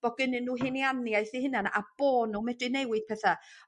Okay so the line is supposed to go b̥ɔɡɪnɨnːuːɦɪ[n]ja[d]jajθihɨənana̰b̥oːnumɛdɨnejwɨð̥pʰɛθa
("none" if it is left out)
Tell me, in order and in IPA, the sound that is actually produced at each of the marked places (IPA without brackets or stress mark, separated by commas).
n, n